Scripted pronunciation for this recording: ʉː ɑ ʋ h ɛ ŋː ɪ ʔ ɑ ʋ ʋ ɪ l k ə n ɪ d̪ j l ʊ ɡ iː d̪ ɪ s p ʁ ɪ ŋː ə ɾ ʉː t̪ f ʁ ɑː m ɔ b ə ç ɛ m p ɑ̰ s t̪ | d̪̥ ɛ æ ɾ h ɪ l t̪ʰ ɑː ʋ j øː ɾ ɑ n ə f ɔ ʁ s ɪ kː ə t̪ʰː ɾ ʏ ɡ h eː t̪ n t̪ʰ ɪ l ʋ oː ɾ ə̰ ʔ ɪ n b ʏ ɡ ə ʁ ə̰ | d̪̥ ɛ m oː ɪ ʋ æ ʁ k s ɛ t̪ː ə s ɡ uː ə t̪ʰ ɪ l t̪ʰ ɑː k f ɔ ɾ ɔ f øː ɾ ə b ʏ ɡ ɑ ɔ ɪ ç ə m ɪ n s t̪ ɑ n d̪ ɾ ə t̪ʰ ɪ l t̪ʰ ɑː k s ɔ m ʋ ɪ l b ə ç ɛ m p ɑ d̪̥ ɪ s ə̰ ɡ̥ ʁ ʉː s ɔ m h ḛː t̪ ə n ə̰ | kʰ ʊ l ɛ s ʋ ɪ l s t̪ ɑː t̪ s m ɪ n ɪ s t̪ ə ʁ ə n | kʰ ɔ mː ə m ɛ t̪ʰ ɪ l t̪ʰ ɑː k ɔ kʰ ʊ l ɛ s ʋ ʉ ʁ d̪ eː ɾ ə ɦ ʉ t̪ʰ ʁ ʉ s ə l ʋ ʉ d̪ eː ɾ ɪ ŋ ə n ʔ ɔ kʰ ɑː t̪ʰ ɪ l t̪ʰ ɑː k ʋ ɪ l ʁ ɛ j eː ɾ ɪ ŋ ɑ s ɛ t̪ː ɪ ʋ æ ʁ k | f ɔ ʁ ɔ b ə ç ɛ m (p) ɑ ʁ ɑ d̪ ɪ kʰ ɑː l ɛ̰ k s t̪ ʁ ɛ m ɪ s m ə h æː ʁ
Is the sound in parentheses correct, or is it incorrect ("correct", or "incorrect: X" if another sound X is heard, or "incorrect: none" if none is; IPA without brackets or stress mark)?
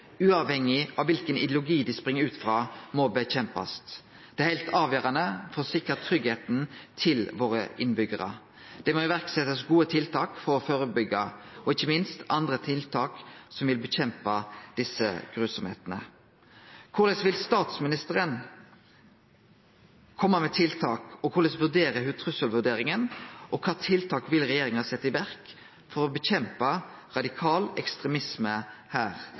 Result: correct